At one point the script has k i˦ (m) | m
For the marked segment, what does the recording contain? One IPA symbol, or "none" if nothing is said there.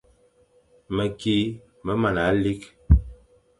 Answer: none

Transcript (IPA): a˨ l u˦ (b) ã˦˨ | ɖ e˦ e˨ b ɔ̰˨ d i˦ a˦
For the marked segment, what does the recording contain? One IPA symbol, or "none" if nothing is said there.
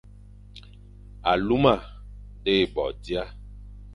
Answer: m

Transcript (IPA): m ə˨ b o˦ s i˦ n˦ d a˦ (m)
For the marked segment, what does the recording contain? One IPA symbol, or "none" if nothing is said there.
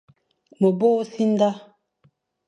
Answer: none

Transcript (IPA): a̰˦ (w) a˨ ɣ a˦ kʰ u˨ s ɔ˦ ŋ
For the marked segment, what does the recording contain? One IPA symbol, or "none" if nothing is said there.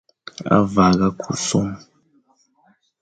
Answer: v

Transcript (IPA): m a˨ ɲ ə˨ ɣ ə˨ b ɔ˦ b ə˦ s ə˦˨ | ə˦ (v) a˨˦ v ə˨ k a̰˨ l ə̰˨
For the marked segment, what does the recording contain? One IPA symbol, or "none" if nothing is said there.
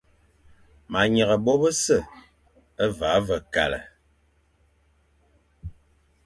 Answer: v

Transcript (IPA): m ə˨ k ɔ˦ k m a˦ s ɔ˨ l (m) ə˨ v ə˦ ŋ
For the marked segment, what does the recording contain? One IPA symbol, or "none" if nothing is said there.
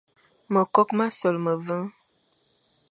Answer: m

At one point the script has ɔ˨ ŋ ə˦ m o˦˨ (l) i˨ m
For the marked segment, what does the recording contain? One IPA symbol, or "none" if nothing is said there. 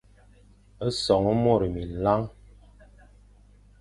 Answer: ɾ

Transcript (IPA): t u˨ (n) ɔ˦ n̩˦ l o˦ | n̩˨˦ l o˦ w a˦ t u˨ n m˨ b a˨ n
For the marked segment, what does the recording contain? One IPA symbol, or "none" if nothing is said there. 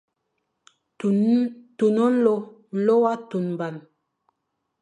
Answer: n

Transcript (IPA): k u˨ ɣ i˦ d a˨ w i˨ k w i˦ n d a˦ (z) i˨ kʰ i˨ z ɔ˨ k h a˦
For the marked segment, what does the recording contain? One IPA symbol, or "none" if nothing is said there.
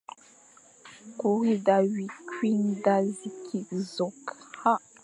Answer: z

